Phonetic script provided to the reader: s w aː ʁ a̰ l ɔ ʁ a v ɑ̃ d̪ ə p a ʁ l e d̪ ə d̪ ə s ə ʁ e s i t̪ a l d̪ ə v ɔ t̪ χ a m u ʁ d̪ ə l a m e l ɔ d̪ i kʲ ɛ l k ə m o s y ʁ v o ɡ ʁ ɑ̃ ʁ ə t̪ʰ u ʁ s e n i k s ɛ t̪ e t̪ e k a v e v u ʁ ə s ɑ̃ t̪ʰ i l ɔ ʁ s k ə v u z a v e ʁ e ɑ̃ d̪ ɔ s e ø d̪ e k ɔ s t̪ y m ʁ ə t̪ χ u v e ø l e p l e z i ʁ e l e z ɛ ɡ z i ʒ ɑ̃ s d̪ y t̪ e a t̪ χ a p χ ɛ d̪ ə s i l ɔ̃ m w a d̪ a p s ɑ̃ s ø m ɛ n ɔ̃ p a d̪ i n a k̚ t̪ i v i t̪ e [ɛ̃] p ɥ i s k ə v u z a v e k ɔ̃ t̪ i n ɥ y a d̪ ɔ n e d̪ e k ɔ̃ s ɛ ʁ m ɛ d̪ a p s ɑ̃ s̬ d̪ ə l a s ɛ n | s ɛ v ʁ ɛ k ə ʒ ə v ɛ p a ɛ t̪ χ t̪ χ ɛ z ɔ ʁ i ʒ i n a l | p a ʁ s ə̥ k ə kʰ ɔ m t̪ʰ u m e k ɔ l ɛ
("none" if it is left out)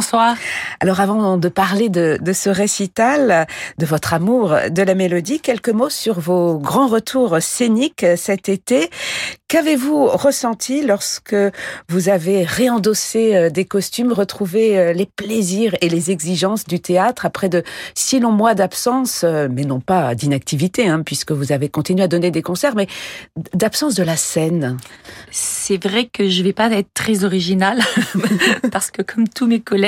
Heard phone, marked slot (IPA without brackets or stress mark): ɛ̃